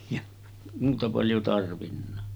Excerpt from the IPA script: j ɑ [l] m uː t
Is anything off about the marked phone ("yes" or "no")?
yes